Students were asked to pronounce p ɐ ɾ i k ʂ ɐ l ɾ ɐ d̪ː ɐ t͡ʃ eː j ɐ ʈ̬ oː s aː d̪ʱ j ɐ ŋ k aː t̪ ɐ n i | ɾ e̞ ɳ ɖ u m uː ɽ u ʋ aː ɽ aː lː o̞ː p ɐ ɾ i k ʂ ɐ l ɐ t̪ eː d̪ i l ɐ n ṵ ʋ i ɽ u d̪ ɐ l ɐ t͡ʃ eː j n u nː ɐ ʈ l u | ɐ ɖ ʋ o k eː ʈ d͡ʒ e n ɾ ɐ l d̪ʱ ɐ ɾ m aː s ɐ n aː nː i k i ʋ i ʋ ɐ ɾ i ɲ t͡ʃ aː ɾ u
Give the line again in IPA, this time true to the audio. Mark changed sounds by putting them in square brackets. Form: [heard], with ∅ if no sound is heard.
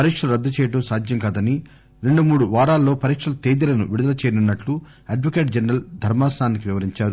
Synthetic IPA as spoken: p ɐ ɾ i k ʂ ɐ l ɾ ɐ d̪ː ɐ t͡ʃ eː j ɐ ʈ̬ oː s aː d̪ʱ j ɐ ŋ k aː [d̪] ɐ n i | ɾ e̞ ɳ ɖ u m uː ɽ u ʋ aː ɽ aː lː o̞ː p ɐ ɾ i k ʂ ɐ l ɐ t̪ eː d̪ i l ɐ n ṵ ʋ i ɽ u d̪ ɐ l ɐ t͡ʃ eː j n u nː ɐ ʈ l u | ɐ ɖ ʋ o k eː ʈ d͡ʒ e n ɾ ɐ l d̪ʱ ɐ ɾ m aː s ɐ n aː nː i k i ʋ i ʋ ɐ ɾ i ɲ t͡ʃ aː ɾ u

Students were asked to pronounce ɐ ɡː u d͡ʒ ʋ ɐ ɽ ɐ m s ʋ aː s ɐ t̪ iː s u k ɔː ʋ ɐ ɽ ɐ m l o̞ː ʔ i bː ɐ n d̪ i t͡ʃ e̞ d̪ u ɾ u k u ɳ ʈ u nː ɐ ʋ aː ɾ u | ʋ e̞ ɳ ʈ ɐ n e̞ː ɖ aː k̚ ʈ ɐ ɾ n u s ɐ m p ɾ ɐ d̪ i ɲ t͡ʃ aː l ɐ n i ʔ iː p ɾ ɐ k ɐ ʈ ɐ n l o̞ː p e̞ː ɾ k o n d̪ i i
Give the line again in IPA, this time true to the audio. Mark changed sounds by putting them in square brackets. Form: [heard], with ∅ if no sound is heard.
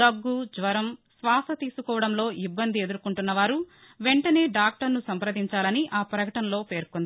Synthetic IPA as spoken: ɐ ɡː u d͡ʒ ʋ ɐ [ɾ] ɐ m s ʋ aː s ɐ t̪ iː s u k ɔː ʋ ɐ ɽ ɐ m l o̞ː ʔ i bː ɐ n d̪ i [∅] e̞ d̪ u ɾ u k u ɳ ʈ u nː ɐ ʋ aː ɾ u | ʋ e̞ ɳ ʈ ɐ n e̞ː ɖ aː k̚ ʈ ɐ ɾ n u s ɐ m p ɾ ɐ d̪ i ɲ t͡ʃ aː l ɐ n i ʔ [aː] p ɾ ɐ k ɐ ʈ ɐ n l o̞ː p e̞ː ɾ k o n d̪ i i

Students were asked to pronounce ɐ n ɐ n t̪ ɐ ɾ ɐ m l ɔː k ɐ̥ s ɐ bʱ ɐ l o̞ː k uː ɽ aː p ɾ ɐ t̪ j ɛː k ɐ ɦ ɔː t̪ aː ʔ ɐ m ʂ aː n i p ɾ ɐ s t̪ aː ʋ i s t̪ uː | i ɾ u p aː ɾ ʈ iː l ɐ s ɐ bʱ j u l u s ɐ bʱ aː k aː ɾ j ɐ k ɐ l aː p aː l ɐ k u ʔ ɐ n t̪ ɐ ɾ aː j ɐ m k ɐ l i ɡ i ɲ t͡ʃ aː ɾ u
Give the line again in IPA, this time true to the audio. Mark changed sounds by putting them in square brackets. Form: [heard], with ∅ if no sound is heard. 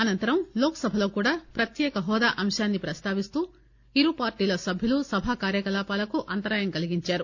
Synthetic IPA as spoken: ɐ n ɐ n t̪ ɐ ɾ ɐ m l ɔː k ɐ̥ s ɐ bʱ ɐ l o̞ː k uː ɽ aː p ɾ ɐ t̪ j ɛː k ɐ ɦ ɔː [d̪] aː ʔ ɐ m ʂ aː [nː] i p ɾ ɐ s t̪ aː ʋ i s t̪ uː | i ɾ u p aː ɾ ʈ iː l ɐ s ɐ bʱ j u l u s ɐ bʱ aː k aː ɾ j ɐ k ɐ l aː p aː l ɐ k u ʔ ɐ n t̪ ɐ ɾ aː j ɐ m k ɐ l i ɡ i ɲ t͡ʃ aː ɾ u

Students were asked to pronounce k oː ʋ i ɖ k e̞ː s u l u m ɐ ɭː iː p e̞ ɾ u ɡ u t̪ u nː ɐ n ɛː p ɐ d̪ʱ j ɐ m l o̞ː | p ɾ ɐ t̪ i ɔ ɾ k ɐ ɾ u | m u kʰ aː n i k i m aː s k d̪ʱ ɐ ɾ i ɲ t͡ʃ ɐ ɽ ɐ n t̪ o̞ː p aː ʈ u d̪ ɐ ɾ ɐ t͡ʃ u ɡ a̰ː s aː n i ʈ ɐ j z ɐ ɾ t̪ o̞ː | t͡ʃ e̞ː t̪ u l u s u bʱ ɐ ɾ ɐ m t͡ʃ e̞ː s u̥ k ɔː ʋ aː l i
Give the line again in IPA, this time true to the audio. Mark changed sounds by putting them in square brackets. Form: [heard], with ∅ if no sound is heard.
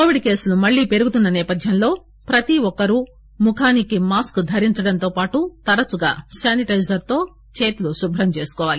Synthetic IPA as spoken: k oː ʋ i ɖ k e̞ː s u l u m ɐ ɭː iː p e̞ ɾ u ɡ u t̪ u nː ɐ n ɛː p ɐ d̪ʱ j ɐ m l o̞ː | p ɾ ɐ t̪ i ɔ [∅] k ɐ ɾ u | m u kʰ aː n i k i m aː s k d̪ʱ ɐ ɾ i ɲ t͡ʃ ɐ ɽ ɐ n t̪ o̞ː p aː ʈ u [t̪] ɐ ɾ ɐ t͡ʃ u ɡ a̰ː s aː n i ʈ ɐ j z ɐ ɾ t̪ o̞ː | t͡ʃ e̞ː t̪ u l u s u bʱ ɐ ɾ ɐ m t͡ʃ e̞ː s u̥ k ɔː ʋ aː l i

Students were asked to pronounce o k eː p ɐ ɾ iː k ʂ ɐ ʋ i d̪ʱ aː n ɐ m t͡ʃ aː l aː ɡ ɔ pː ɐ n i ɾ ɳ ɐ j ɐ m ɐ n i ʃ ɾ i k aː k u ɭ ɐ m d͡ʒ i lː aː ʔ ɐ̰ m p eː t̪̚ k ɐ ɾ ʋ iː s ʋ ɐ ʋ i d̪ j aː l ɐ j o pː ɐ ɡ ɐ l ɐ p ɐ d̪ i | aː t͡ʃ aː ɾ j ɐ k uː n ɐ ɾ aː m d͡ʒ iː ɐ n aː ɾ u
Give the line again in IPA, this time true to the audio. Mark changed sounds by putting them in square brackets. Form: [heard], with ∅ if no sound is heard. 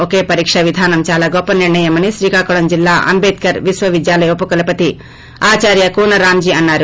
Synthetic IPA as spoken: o k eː p ɐ ɾ iː k ʂ ɐ ʋ i d̪ʱ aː n ɐ m t͡ʃ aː l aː ɡ ɔ pː ɐ n i ɾ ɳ ɐ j ɐ m ɐ n i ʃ ɾ [iː] k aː k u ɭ ɐ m d͡ʒ i lː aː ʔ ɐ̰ m [b] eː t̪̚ k ɐ ɾ ʋ [i] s ʋ ɐ ʋ i d̪ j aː l ɐ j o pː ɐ [k] ɐ l ɐ p ɐ [t̪] i | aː t͡ʃ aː ɾ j ɐ k uː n ɐ ɾ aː m d͡ʒ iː ɐ [nː] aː ɾ u

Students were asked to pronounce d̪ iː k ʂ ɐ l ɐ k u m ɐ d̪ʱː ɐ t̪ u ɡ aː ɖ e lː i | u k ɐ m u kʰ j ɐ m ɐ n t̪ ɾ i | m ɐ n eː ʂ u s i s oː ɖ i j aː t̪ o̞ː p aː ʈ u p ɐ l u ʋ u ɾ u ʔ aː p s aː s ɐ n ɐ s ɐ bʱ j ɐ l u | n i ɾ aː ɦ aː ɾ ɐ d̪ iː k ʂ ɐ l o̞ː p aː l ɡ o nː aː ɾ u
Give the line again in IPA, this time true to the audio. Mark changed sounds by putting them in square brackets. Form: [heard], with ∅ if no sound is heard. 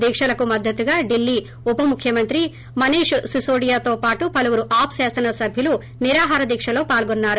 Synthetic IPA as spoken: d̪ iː k ʂ ɐ l ɐ k u m ɐ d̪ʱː ɐ t̪ u ɡ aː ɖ [i] lː i | u [p] ɐ m u kʰ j ɐ m ɐ n t̪ ɾ i | m ɐ n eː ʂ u s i s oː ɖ i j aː t̪ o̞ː p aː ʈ u p ɐ l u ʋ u ɾ u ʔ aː p s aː s ɐ n ɐ s ɐ bʱ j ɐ l u | n i ɾ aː ɦ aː ɾ ɐ d̪ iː k ʂ ɐ l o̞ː p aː l ɡ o nː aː ɾ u

